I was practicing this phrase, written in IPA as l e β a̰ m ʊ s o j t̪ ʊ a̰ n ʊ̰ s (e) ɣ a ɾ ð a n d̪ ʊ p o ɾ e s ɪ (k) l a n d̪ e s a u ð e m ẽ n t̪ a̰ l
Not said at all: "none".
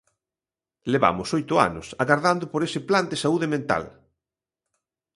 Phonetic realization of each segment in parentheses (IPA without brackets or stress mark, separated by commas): a, p